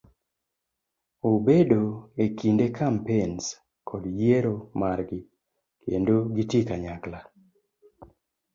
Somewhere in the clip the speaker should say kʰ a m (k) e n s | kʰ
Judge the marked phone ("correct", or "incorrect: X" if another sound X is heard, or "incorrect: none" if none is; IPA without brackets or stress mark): incorrect: p